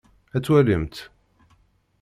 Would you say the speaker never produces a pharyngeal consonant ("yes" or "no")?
yes